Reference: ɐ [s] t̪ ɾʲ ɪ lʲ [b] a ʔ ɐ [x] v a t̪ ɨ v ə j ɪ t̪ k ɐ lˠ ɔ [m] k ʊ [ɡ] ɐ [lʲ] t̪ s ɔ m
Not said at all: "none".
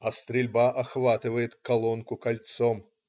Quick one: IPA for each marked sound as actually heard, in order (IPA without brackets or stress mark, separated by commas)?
s, b, x, n, k, lʲ